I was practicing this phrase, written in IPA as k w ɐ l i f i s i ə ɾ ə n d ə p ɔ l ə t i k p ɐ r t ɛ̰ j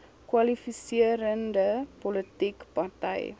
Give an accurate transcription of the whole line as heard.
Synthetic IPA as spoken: k w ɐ l i f i s i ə ɾ ə n d ə p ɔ l ə t i k p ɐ r t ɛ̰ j